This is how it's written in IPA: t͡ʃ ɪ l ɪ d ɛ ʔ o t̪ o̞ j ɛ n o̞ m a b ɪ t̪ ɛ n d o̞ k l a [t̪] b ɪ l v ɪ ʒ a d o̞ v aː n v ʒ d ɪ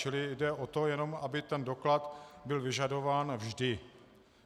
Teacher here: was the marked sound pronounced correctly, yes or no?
yes